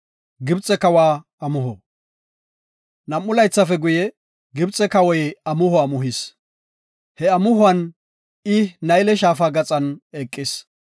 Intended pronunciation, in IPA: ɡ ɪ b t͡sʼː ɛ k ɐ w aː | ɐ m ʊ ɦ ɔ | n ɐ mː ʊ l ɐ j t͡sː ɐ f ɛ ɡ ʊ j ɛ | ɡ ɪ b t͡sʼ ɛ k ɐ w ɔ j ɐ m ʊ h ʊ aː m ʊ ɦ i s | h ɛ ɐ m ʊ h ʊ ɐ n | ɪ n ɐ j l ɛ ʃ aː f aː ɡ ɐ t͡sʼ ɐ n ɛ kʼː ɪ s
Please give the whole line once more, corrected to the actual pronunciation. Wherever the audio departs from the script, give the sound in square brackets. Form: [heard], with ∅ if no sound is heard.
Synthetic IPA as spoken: ɡ ɪ b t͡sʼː ɛ k ɐ w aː | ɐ m ʊ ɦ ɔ | n ɐ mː ʊ l ɐ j t͡sː ɐ f ɛ ɡ ʊ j ɛ | ɡ ɪ b t͡sʼ ɛ k ɐ w ɔ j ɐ m ʊ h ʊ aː m ʊ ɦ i s | h ɛ ɐ m ʊ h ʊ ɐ n | ɪ n ɐ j l ɛ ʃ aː f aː ɡ ɐ t͡sʼ ɐ n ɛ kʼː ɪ s